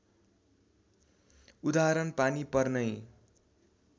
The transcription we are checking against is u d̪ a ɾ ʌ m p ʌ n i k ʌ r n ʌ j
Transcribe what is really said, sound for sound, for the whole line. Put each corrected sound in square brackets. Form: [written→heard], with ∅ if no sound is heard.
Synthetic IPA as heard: u d̪ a ɾ ʌ [m→n] p [ʌ→a] n i [k→p] ʌ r n ʌ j